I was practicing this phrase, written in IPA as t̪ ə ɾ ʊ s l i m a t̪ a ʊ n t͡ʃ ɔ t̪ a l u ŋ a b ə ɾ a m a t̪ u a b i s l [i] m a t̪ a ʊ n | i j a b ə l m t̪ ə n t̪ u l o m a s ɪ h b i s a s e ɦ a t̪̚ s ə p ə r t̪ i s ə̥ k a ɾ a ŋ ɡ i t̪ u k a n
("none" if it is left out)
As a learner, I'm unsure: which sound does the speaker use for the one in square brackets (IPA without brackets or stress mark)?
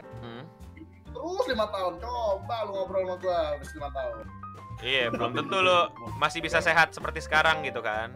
i